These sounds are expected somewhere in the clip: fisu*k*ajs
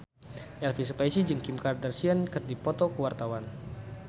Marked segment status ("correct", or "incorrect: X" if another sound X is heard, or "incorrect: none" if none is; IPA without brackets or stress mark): incorrect: p